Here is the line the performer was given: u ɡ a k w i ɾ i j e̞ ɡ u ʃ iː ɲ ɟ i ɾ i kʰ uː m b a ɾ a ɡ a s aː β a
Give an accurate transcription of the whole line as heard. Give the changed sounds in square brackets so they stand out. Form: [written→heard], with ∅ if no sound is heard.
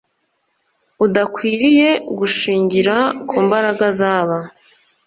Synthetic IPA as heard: u [ɡ→d] a k w [i→iː] ɾ i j e̞ ɡ u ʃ iː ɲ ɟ i ɾ [i→a] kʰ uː m b a ɾ a ɡ a [s→z] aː β a